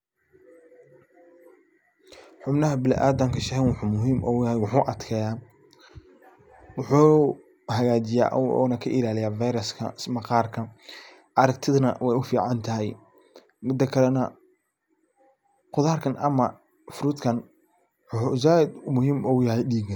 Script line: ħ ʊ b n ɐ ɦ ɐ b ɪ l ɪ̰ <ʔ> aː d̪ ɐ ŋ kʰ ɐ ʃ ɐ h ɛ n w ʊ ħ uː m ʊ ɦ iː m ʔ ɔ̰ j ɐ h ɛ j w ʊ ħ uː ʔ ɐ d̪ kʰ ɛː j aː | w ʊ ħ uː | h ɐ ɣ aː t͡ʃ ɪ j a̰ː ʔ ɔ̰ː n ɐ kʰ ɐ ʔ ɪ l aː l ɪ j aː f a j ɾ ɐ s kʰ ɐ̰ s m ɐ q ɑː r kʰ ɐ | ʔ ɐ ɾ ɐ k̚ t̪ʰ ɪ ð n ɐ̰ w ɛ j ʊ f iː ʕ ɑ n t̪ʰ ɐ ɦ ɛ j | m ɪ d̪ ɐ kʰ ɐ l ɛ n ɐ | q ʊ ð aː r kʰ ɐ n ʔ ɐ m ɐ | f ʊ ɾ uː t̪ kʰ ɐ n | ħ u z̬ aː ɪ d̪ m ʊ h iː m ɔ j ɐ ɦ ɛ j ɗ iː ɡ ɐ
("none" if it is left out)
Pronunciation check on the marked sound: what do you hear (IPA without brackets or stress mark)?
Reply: ʔ